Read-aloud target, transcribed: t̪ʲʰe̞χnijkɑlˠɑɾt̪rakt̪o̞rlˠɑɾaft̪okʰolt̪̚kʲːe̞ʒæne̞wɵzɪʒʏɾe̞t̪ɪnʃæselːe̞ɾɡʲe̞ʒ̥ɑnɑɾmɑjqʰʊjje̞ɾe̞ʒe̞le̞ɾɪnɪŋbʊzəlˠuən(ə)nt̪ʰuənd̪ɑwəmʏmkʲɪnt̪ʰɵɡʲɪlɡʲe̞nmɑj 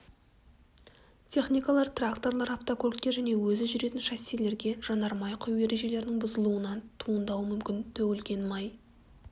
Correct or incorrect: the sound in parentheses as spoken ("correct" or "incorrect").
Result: incorrect